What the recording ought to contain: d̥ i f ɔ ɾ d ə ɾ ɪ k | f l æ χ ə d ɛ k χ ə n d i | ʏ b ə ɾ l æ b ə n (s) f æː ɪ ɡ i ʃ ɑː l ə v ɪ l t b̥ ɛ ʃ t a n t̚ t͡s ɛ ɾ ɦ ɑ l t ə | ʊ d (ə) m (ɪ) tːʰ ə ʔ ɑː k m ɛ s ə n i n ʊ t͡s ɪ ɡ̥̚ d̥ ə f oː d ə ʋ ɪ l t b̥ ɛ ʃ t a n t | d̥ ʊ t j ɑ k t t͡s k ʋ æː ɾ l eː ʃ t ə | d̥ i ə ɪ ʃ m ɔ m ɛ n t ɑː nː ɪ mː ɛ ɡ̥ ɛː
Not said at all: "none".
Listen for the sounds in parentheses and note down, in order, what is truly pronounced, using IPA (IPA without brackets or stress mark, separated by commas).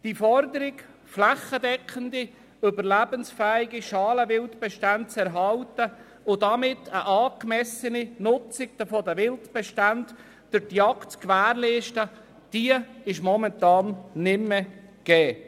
s, ɑ, ɪ